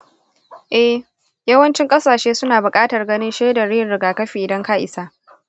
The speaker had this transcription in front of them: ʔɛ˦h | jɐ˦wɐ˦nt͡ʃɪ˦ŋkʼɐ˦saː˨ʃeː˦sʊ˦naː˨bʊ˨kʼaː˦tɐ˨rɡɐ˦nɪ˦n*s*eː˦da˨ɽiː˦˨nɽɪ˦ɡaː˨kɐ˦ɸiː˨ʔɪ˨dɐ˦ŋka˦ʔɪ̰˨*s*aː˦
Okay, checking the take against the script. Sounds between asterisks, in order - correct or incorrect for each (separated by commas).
incorrect, correct